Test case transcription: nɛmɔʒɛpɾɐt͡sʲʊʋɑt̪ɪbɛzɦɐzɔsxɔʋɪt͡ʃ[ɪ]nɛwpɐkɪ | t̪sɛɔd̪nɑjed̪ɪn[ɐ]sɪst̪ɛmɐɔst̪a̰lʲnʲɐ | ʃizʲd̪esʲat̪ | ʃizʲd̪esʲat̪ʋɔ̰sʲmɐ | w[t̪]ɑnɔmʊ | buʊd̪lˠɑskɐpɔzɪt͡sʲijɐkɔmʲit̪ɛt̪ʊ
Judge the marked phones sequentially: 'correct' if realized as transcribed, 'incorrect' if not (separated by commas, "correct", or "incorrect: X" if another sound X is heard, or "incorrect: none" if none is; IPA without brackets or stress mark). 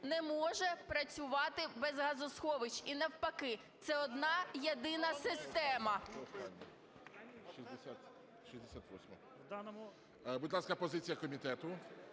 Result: incorrect: i, correct, incorrect: d̪